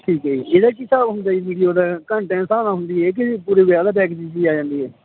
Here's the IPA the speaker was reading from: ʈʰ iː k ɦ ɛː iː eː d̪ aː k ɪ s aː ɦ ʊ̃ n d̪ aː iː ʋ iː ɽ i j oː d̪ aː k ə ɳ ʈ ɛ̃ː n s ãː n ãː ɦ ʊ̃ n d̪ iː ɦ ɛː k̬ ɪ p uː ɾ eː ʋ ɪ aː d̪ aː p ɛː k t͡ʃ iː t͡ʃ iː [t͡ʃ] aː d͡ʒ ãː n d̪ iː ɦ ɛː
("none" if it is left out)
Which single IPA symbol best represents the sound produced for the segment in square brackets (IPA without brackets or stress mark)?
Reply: none